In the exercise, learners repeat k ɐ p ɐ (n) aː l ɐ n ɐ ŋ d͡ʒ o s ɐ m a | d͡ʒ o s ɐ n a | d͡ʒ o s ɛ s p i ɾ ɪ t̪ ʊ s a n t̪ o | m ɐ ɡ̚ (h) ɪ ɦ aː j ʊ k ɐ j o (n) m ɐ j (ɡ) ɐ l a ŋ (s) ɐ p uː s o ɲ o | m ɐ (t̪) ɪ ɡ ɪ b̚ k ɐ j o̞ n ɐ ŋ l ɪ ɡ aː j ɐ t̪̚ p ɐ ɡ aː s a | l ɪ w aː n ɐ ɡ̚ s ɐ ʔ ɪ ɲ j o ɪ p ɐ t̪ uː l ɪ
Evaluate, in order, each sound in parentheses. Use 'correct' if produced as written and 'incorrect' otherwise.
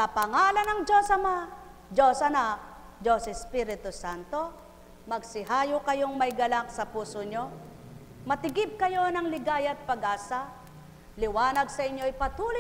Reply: incorrect, incorrect, incorrect, correct, correct, correct

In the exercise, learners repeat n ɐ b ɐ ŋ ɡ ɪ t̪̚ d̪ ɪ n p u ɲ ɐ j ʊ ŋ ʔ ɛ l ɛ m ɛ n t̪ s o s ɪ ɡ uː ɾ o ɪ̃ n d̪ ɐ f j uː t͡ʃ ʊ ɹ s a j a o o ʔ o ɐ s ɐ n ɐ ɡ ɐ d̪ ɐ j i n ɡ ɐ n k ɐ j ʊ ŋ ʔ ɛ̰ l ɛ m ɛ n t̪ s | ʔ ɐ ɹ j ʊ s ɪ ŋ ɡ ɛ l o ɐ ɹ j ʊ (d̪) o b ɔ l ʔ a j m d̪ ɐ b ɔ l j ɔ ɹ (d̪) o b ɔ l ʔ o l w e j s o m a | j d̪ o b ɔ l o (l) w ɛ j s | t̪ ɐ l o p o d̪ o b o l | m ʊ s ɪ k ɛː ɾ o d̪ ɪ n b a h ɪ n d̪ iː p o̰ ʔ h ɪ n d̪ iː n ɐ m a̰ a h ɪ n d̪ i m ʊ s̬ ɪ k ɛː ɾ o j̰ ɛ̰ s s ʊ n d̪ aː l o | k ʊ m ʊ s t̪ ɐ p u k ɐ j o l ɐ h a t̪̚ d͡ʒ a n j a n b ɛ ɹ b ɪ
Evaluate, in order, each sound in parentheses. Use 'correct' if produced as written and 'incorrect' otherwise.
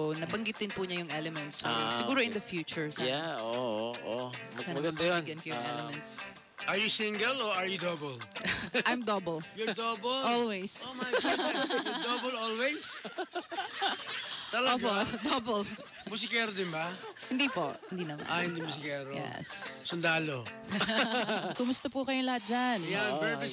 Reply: correct, correct, correct

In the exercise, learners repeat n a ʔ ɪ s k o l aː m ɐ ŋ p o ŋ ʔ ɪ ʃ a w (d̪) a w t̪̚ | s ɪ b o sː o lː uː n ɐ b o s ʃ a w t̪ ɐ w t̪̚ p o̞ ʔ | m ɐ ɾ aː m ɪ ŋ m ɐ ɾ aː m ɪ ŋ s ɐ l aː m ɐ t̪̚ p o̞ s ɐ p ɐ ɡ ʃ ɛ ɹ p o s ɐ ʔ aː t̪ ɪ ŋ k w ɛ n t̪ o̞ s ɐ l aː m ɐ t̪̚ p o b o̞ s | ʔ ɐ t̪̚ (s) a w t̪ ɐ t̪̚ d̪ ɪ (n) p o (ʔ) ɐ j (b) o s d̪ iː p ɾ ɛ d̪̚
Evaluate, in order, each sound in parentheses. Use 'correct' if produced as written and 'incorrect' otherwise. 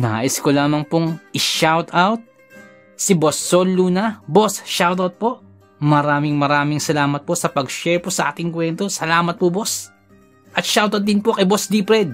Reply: incorrect, incorrect, correct, incorrect, correct

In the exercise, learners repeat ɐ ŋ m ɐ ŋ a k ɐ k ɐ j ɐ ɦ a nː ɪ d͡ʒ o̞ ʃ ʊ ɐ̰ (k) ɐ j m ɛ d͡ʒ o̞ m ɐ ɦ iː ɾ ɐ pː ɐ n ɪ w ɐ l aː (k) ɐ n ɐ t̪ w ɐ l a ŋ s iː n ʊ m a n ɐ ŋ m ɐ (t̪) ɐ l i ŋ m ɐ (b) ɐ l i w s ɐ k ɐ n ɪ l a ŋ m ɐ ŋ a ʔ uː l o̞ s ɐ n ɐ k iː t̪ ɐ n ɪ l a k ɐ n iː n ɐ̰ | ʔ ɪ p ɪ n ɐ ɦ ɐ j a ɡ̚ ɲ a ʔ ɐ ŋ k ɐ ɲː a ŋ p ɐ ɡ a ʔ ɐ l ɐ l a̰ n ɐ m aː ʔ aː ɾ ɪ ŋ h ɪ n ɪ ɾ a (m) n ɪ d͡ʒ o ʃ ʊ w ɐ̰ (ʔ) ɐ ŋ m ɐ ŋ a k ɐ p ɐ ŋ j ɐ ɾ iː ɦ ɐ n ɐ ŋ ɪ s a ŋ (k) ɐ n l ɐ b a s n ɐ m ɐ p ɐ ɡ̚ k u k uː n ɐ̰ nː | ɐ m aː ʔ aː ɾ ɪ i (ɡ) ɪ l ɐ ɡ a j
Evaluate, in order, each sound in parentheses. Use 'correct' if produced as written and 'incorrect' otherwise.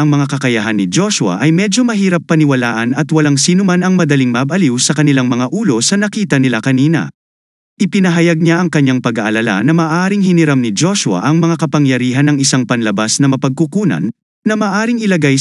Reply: incorrect, incorrect, incorrect, correct, correct, correct, incorrect, incorrect

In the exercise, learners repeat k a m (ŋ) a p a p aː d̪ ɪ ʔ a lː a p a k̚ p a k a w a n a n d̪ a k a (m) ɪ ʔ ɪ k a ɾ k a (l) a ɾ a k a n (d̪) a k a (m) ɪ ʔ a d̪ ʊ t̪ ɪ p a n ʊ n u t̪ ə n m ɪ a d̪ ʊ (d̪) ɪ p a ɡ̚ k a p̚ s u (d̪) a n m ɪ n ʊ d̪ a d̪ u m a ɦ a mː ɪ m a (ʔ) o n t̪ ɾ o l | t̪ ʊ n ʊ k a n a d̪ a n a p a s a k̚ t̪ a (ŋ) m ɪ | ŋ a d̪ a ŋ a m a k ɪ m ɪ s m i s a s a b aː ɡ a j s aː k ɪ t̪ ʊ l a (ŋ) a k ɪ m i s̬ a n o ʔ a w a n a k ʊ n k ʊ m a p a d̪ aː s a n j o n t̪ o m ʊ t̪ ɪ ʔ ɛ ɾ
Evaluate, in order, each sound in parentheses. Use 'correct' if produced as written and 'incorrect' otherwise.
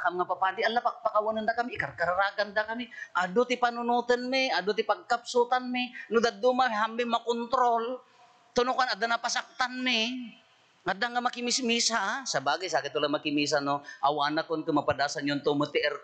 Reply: correct, correct, incorrect, correct, correct, incorrect, incorrect, incorrect, incorrect, incorrect

